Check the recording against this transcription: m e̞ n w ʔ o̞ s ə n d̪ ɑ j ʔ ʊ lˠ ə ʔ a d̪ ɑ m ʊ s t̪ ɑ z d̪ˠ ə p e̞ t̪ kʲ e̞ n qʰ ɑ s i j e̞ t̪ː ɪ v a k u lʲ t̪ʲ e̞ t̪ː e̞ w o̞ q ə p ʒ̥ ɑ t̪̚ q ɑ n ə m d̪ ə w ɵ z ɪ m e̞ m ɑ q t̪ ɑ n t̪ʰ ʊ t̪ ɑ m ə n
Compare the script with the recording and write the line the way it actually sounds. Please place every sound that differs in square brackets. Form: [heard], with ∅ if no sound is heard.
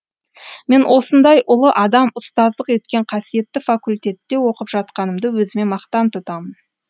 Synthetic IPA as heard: m e̞ n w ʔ o̞ s ə n d̪ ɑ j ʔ ʊ lˠ ə ʔ [ɑ] d̪ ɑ m ʊ s t̪ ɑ z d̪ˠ ə [q] e̞ t̪ kʲ e̞ [ɴ] qʰ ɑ s i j e̞ t̪ː ɪ [f] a k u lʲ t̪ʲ e̞ t̪ː e̞ w o̞ q ə p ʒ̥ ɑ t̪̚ q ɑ n ə m d̪ ə w ɵ z ɪ m e̞ m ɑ q t̪ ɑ n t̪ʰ ʊ t̪ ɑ m ə n

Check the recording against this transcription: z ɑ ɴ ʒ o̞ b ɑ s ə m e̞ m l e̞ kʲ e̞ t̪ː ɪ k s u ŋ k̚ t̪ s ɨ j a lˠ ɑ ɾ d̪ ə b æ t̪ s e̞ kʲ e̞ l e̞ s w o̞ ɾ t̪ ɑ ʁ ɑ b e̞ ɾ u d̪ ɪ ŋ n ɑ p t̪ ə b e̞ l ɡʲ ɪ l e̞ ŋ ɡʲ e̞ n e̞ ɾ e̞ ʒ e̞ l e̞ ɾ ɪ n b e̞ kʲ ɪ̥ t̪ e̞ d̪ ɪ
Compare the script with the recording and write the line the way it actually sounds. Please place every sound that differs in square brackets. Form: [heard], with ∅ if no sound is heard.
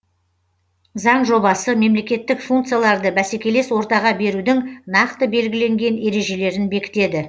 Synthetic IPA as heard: z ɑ ɴ ʒ o̞ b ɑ s ə m e̞ m l e̞ kʲ e̞ t̪ː ɪ k [f] u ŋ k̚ t̪ s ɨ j a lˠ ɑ ɾ d̪ ə b æ [∅] s e̞ kʲ e̞ l e̞ s w o̞ ɾ t̪ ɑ ʁ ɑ b e̞ ɾ u d̪ ɪ ŋ n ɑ [q] t̪ ə b e̞ l ɡʲ ɪ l e̞ ŋ ɡʲ e̞ n e̞ ɾ e̞ ʒ e̞ l e̞ ɾ ɪ n b e̞ kʲ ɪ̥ t̪ e̞ d̪ ɪ

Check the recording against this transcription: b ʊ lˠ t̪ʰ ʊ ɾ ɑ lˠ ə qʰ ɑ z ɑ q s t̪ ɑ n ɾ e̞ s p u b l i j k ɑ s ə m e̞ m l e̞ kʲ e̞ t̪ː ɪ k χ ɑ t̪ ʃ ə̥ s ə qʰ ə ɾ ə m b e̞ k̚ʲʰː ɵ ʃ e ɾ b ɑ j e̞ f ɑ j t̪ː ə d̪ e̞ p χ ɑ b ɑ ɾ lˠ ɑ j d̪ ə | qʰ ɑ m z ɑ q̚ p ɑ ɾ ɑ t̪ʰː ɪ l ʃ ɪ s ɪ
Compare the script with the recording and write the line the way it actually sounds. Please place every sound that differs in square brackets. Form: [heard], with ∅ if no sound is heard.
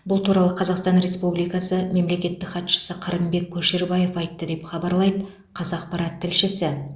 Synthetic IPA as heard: b ʊ lˠ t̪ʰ [u] ɾ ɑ lˠ ə qʰ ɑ z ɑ q s t̪ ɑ n ɾ e̞ s p u b l i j k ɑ s ə m e̞ m l e̞ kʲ e̞ t̪ː ɪ k χ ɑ t̪ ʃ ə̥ s ə qʰ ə ɾ ə m b e̞ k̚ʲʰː ɵ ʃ e ɾ b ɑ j e̞ f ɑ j t̪ː ə d̪ e̞ p χ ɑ b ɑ ɾ lˠ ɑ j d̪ ə | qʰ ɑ [∅] z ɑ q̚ p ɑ ɾ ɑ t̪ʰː ɪ l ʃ ɪ s ɪ

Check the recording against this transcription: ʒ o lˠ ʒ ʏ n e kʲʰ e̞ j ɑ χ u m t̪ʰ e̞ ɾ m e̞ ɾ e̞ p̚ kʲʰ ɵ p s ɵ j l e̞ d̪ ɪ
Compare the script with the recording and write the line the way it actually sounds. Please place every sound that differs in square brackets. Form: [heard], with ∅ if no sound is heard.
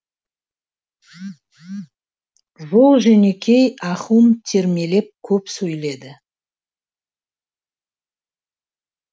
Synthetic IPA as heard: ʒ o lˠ ʒ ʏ n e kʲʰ e̞ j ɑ χ u m t̪ʰ e̞ ɾ m e̞ [l] e̞ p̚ kʲʰ ɵ p s ɵ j l e̞ d̪ ɪ

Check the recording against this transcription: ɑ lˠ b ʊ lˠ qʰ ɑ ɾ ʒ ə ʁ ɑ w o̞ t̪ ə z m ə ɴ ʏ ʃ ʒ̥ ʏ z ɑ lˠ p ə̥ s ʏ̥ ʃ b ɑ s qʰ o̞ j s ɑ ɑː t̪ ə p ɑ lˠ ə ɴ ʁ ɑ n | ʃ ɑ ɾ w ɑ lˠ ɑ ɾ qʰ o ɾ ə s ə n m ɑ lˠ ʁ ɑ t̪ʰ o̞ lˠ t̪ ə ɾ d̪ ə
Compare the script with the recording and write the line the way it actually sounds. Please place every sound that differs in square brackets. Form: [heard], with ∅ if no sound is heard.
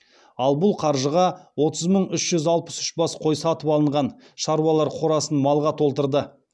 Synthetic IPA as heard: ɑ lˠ b ʊ lˠ qʰ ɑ ɾ ʒ ə ʁ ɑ w o̞ t̪ ə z m ə ɴ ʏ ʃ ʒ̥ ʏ z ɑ lˠ p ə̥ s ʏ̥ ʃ b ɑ s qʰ o̞ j s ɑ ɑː t̪ ə p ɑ lˠ ə ɴ ʁ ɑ n | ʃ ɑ ɾ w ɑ lˠ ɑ ɾ qʰ o ɾ [ɑ] s ə n m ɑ lˠ ʁ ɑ t̪ʰ o̞ lˠ t̪ ə ɾ d̪ ə

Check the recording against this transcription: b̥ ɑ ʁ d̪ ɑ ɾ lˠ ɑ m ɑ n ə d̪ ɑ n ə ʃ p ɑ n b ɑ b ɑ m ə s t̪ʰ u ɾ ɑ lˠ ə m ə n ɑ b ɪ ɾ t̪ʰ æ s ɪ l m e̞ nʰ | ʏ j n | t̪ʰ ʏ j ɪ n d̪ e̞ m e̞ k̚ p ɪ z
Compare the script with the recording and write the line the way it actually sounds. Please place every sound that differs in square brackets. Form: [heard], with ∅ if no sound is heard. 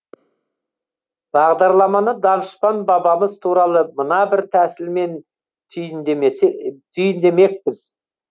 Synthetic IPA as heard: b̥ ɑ ʁ d̪ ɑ ɾ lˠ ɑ m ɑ n ə d̪ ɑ n ə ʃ p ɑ n b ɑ b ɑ m ə [z] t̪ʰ u ɾ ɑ lˠ ə m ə n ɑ b ɪ ɾ t̪ʰ æ s ɪ l m e̞ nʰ | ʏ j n | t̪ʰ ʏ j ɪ n d̪ e̞ m e̞ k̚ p ɪ z

